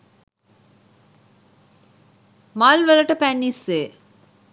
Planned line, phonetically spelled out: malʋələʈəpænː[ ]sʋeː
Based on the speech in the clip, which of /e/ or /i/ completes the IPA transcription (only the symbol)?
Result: i